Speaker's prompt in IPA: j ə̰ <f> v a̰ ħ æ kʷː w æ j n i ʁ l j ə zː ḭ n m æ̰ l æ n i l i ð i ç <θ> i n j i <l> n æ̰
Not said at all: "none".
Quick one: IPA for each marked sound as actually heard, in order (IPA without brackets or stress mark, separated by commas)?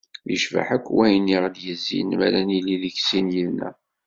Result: ʃ, s, l